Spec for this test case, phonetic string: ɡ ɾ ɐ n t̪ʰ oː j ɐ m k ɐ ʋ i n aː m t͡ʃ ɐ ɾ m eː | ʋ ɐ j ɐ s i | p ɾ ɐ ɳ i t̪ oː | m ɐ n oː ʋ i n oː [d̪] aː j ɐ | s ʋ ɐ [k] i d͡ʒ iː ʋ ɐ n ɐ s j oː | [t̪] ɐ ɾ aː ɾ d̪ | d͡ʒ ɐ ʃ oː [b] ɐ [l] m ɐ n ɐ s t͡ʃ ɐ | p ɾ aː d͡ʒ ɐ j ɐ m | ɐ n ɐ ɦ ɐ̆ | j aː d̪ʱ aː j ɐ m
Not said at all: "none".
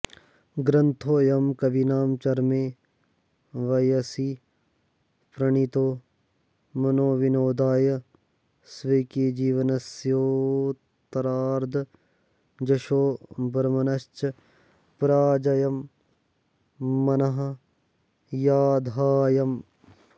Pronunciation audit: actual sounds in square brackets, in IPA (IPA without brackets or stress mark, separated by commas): d̪, k, t̪, b, ɾ